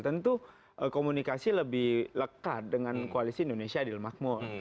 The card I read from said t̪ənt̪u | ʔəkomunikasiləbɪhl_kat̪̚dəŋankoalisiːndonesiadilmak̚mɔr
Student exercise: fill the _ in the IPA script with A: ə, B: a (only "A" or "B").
A